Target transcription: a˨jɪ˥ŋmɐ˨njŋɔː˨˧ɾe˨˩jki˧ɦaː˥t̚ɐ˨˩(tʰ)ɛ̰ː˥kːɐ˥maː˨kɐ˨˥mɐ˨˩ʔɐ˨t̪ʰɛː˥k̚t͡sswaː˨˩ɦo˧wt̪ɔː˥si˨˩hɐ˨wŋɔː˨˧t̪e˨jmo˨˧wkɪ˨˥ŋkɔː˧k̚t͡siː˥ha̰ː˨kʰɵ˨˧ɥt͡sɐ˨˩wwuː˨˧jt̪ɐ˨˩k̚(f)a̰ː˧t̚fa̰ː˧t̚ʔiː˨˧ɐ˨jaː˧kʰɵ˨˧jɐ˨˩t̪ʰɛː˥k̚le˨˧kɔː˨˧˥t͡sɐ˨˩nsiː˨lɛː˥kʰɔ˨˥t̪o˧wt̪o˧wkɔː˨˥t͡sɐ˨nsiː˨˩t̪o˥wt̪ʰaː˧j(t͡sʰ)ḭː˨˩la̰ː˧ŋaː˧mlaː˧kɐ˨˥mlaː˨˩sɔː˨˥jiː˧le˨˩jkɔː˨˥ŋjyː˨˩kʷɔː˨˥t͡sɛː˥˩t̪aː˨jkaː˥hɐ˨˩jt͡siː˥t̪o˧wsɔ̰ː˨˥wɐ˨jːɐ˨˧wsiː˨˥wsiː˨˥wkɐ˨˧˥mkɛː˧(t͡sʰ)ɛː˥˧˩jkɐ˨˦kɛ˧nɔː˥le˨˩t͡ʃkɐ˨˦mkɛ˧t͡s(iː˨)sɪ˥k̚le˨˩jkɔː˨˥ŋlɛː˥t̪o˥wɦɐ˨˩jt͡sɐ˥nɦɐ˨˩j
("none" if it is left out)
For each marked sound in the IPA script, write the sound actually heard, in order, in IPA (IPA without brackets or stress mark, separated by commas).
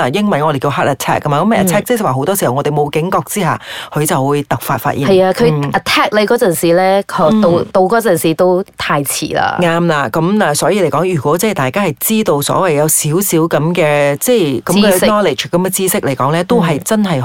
tʰ, f, t͡sʰ, t͡s, iː˥